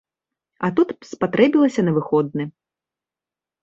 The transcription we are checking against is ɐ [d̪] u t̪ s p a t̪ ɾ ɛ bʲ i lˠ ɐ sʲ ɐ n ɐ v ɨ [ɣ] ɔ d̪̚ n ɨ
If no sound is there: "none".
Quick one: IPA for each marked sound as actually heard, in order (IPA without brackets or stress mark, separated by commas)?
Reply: t̪, x